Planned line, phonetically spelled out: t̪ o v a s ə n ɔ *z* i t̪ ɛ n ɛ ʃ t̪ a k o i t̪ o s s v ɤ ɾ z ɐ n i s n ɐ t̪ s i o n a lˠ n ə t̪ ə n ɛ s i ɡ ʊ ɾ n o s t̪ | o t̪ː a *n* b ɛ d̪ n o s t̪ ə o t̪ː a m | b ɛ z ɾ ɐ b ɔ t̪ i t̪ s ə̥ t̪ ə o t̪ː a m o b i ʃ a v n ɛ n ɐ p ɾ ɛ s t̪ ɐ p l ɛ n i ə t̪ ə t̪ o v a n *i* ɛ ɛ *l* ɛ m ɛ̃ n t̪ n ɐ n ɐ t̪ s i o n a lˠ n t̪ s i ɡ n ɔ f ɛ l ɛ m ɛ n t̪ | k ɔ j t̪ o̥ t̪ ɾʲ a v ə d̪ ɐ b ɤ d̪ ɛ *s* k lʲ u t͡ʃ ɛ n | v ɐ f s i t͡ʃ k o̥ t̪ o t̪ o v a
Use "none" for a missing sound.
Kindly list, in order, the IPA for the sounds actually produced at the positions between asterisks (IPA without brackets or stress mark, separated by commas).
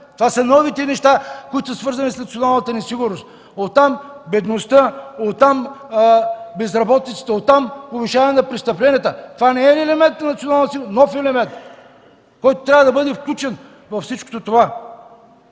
v, m, ɛ, l, f